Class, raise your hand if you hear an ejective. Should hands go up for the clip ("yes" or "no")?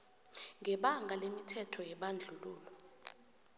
no